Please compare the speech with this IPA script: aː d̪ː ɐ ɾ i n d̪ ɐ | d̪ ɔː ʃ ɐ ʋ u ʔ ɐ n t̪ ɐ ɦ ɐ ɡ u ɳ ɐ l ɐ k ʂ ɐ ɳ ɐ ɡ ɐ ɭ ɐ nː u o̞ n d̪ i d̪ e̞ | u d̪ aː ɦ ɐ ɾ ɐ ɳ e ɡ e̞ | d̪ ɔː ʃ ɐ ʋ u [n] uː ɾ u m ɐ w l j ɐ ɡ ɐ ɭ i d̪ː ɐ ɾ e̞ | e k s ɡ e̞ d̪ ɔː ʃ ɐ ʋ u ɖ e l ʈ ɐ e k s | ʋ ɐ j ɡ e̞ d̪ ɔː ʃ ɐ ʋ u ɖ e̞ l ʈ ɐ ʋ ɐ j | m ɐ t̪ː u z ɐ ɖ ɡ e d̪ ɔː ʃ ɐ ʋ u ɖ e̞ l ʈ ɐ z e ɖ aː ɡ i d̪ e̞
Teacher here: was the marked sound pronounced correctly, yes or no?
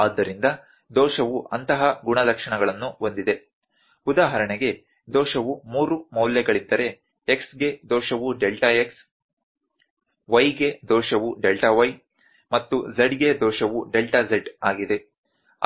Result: no